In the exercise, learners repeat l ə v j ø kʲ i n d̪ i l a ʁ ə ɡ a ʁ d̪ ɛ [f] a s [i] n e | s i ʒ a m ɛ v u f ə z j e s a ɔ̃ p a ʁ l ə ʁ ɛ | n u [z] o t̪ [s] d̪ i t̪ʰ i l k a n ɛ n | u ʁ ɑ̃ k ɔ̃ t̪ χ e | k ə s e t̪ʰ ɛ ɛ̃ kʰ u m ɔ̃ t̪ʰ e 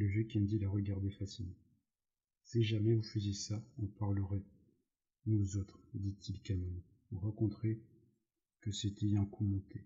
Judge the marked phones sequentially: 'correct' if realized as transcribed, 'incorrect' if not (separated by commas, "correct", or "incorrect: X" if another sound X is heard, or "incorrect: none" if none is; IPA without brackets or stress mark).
correct, correct, correct, incorrect: χ